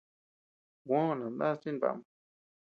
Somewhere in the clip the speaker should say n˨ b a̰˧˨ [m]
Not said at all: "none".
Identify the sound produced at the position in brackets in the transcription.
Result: m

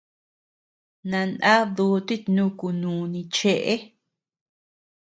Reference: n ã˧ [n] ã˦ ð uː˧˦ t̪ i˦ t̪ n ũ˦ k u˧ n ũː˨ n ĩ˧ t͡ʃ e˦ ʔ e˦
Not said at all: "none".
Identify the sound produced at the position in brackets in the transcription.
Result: n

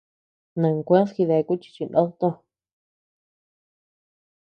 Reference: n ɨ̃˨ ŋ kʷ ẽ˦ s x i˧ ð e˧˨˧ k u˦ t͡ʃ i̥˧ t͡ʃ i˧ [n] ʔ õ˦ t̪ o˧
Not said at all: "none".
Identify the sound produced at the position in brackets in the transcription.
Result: n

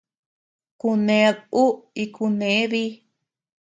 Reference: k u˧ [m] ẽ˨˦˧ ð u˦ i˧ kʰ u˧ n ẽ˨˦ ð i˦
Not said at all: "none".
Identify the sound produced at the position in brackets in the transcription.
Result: n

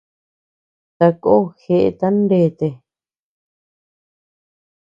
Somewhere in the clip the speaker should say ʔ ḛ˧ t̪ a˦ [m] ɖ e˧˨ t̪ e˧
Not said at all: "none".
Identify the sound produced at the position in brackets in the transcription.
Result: n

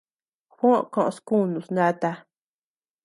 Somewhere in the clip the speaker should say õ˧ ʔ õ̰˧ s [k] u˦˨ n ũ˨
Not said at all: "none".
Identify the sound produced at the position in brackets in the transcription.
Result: k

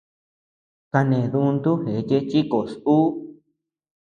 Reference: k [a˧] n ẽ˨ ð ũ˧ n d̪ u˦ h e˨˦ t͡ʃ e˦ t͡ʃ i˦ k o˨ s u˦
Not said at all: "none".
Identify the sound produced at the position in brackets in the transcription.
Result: a˧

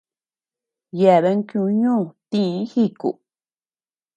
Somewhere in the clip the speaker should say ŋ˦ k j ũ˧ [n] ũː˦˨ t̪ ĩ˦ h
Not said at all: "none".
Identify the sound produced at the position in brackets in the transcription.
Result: ɲ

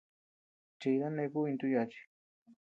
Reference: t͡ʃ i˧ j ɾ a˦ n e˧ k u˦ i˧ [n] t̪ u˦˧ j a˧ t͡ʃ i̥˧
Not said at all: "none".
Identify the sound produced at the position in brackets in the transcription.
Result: n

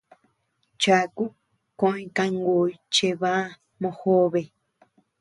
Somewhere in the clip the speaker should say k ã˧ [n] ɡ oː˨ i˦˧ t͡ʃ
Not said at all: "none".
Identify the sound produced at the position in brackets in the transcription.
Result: ŋ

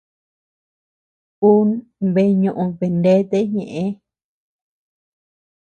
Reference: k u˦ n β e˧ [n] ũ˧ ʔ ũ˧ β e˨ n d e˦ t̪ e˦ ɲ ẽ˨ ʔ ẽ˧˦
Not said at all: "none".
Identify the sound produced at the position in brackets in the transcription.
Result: ɲ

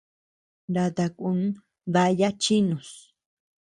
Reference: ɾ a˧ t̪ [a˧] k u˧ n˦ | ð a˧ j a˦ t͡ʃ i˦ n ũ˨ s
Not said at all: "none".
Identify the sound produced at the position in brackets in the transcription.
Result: a˧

